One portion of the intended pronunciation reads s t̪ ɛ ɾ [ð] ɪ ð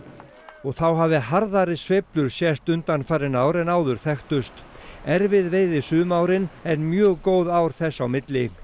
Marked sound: incorrect: v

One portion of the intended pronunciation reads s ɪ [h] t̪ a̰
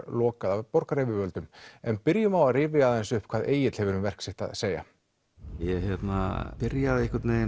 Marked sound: correct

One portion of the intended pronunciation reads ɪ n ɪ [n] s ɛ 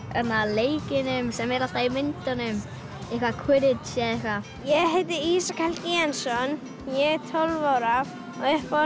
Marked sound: incorrect: m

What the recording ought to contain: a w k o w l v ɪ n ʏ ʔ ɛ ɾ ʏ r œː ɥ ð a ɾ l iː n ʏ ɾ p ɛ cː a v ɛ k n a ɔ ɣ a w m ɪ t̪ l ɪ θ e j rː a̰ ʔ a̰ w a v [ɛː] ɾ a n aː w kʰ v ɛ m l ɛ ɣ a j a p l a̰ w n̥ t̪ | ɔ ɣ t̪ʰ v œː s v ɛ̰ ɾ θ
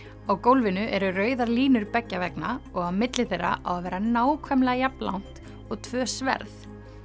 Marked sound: correct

